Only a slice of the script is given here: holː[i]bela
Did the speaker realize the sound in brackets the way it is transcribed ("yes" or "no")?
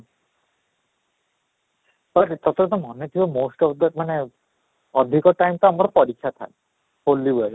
yes